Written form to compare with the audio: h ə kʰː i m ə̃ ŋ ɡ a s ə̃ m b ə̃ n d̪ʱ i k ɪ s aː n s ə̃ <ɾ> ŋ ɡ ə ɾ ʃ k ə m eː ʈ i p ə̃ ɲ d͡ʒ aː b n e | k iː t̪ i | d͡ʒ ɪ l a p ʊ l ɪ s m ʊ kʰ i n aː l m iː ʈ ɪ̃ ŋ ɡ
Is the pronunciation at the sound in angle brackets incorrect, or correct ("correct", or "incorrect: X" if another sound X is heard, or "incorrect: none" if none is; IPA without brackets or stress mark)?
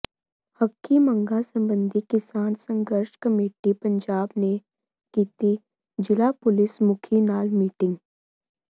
incorrect: none